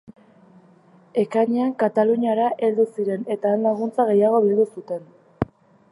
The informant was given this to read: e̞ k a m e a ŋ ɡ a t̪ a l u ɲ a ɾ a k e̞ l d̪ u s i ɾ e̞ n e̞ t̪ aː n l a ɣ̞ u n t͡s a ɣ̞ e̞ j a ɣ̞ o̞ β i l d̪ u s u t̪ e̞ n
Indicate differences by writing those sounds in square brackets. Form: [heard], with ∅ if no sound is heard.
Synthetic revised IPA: e̞ k a [ɲ] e a ŋ [k] a t̪ a l u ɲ a ɾ a [ʔ] e̞ l d̪ u s i ɾ e̞ n e̞ t̪ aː n l a ɣ̞ u n t͡s a ɣ̞ e̞ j a ɣ̞ o̞ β i l d̪ u s u t̪ e̞ n